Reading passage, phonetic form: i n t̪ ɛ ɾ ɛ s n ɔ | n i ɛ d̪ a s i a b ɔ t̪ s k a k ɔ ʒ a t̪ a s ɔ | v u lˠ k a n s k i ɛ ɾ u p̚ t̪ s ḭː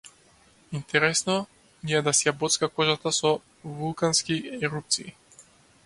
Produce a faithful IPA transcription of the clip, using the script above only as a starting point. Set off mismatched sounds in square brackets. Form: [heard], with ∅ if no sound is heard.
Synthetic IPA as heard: i n t̪ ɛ ɾ ɛ s n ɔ | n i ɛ d̪ a s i a b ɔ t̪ s k a k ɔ ʒ a t̪ a s ɔ | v u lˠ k a n s k i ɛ ɾ u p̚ t̪ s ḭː